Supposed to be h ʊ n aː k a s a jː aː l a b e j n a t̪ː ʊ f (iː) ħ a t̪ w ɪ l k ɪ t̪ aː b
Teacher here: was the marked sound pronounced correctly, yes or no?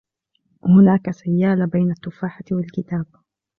no